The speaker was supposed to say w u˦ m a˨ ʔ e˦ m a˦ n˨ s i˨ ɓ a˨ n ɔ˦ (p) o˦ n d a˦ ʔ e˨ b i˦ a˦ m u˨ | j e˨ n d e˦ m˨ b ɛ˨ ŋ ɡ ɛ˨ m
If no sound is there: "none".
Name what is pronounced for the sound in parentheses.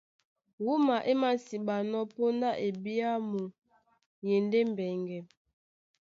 p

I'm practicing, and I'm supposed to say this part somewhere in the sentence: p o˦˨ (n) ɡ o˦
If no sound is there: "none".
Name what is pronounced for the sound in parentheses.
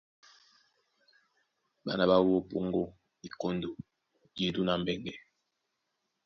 ŋ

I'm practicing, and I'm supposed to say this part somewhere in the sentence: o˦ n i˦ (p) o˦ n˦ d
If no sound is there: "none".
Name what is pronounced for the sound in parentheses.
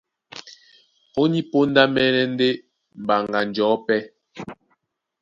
p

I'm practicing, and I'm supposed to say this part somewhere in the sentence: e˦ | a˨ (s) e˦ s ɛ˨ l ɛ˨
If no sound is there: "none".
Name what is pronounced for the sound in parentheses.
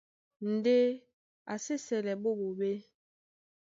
s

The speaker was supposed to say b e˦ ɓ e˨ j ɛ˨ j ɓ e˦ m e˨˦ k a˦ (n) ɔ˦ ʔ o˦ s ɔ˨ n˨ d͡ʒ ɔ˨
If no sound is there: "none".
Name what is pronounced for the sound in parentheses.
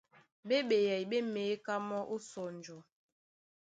m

